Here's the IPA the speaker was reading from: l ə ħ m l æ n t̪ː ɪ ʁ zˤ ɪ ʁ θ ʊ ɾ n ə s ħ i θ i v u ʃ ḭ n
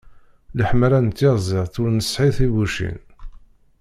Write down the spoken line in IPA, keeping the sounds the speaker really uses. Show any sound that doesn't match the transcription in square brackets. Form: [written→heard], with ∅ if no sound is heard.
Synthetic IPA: l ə ħ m [l→ɾ] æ n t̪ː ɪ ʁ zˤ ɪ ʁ θ ʊ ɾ n ə s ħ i θ i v u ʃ ḭ n

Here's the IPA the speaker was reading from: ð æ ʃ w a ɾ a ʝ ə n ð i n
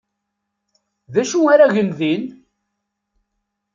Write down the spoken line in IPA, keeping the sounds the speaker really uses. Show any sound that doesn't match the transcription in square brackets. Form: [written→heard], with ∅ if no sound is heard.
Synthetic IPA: ð æ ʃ [w→u] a ɾ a ʝ ə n ð i n

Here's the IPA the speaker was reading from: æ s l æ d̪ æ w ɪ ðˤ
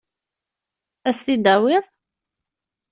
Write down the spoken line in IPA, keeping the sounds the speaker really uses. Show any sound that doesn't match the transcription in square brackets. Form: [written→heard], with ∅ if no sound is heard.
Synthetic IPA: æ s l [æ→i] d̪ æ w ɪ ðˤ

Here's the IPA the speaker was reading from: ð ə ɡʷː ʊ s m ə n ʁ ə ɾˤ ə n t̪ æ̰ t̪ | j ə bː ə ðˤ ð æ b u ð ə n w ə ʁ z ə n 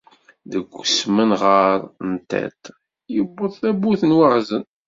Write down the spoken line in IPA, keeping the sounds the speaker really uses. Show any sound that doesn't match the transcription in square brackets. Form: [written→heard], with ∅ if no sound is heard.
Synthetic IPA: ð ə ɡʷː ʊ s m ə n ʁ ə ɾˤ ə n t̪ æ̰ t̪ | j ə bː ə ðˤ [ð→θ] æ b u [ð→θ] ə n w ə ʁ z ə n

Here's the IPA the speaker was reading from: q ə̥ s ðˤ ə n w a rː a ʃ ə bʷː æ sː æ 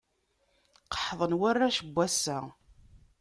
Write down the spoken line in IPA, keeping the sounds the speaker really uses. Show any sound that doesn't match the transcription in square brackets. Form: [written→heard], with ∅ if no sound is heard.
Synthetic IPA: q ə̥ [s→ħ] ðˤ ə n w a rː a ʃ ə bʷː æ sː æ

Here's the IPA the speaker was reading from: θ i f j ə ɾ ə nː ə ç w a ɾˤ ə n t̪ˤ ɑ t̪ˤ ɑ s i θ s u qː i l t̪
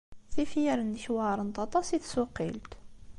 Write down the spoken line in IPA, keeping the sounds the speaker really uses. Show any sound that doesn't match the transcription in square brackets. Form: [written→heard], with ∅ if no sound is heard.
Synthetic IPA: θ i f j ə ɾ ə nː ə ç w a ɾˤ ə n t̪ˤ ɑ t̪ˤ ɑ s i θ s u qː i l t̪

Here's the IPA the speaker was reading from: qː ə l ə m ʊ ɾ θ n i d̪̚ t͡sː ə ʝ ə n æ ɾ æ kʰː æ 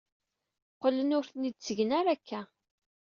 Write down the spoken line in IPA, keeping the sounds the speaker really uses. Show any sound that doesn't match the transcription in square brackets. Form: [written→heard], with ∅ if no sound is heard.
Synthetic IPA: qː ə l ə [m→n] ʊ ɾ θ n i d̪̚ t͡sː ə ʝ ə n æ ɾ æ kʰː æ

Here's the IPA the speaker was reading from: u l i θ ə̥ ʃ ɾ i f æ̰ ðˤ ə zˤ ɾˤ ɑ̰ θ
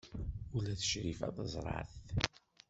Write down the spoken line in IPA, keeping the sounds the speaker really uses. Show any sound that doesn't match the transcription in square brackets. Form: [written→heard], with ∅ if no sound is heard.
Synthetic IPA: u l [i→æ] θ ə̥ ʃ ɾ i f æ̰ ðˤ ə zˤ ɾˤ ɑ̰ θ

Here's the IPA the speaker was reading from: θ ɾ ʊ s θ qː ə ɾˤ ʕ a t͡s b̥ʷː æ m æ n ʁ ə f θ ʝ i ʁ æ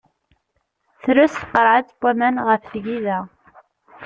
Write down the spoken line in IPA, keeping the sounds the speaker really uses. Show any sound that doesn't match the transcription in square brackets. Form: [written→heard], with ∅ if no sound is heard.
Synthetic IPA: θ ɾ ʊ s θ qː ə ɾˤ ʕ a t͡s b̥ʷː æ m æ n ʁ ə f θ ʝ i [ʁ→ð] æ

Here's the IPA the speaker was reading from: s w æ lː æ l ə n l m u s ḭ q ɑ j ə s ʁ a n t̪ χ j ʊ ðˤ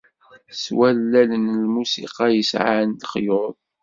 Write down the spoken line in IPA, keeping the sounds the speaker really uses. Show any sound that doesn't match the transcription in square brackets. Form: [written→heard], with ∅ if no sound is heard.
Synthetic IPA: s w æ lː æ l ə n l m u s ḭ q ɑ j ə s [ʁ→ʕ] a n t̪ χ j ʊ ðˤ

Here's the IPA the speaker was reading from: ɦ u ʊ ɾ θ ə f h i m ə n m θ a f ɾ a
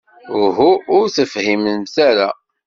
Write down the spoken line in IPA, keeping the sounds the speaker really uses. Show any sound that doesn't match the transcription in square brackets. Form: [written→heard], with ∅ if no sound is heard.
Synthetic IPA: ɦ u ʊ ɾ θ ə f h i m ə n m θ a [f→∅] ɾ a

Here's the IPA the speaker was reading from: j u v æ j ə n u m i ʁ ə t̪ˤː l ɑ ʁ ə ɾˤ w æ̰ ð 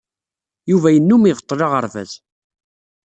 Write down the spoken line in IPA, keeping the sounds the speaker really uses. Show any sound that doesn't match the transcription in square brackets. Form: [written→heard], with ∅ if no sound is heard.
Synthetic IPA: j u v æ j ə [n→nː] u m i ʁ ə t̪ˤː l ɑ ʁ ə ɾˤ [w→v] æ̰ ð

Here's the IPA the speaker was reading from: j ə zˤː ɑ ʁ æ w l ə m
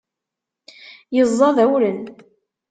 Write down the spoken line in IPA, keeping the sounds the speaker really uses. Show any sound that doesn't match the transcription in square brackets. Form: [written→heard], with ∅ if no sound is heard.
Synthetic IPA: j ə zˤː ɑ [ʁ→ð] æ w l ə [m→n]

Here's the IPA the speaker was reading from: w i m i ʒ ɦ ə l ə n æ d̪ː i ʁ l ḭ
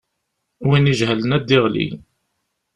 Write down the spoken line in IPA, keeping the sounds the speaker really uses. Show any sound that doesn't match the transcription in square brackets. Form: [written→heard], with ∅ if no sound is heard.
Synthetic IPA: w i [m→n] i ʒ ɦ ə l ə n æ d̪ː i ʁ l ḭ

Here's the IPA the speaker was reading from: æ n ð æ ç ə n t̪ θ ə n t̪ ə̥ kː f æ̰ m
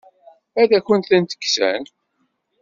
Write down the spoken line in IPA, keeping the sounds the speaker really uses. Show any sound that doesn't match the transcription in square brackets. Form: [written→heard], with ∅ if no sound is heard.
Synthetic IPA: æ [n→∅] ð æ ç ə n t̪ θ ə n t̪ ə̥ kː [f→s] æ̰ [m→n]

